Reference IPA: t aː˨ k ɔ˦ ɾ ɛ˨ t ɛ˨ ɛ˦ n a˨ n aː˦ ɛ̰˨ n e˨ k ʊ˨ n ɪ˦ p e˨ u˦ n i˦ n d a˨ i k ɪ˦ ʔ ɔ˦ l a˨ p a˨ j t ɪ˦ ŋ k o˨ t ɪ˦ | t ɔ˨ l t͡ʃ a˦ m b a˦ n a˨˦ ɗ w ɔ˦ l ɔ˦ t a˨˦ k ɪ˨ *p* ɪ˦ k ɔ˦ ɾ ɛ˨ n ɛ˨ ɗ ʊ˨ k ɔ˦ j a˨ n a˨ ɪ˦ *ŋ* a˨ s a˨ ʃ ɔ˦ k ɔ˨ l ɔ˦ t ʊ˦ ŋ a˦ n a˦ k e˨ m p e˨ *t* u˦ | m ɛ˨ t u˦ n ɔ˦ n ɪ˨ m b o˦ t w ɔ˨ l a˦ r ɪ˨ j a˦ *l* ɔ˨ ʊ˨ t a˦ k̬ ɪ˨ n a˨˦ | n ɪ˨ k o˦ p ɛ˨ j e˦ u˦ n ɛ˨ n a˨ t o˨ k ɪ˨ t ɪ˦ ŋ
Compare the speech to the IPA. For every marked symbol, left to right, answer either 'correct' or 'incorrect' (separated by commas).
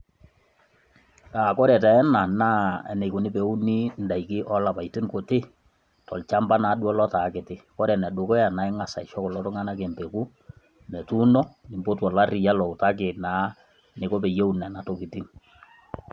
incorrect, correct, incorrect, correct